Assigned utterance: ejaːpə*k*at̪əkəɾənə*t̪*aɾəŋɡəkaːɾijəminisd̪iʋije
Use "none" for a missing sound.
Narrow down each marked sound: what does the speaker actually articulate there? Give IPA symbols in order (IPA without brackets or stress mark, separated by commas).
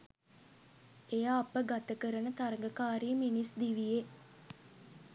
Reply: ɡ, t̪